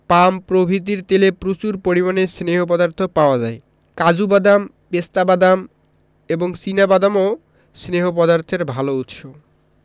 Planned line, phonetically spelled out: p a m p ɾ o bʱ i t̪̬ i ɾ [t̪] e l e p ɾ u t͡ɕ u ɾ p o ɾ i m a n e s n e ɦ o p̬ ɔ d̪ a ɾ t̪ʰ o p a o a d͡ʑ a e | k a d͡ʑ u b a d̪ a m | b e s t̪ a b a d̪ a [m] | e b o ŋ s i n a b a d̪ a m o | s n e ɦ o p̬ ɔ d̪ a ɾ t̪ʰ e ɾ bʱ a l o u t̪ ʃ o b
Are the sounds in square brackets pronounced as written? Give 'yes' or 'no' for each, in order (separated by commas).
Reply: yes, yes